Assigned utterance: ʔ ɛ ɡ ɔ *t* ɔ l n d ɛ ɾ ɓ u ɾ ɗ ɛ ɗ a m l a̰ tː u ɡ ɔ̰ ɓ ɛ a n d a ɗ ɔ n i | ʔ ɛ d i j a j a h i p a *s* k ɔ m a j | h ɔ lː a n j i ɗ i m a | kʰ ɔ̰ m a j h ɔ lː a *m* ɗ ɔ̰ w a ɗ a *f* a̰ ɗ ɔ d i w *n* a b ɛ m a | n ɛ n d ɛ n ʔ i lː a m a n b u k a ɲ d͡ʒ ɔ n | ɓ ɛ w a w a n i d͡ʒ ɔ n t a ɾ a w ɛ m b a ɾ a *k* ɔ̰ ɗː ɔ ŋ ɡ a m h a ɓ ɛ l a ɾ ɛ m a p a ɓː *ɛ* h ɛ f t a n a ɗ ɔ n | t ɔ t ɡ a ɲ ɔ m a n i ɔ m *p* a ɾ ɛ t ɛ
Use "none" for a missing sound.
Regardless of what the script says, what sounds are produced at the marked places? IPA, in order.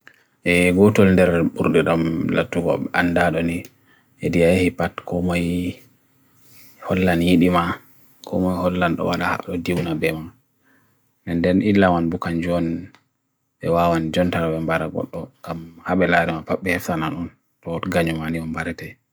t, t, n, h, n, ɡ, ɛ, b

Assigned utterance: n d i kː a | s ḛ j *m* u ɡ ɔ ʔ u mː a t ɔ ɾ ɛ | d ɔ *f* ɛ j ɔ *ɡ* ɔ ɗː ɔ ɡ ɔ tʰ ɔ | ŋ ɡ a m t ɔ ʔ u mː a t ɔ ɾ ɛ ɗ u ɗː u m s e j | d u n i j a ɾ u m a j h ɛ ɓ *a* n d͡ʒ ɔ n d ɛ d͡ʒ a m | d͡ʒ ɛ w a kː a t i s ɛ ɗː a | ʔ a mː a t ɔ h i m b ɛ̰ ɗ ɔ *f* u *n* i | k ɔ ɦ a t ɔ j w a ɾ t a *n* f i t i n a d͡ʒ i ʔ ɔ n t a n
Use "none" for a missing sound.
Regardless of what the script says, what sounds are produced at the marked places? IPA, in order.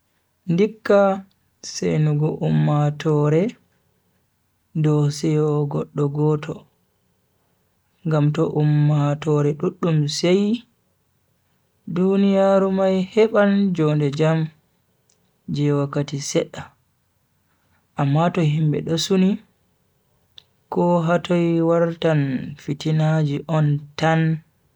n, s, ɡ, a, s, n, n

